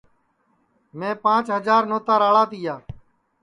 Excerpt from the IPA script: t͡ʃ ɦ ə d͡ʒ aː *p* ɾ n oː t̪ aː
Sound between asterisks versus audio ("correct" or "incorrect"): incorrect